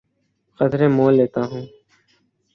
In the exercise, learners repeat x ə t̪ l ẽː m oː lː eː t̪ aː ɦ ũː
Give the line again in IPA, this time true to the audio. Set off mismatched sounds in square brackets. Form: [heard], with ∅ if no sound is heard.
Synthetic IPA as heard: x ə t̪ [ɾ] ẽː m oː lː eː t̪ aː ɦ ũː